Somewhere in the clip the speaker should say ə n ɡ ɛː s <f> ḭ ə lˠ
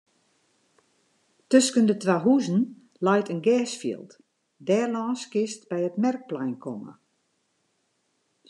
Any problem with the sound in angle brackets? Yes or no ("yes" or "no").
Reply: no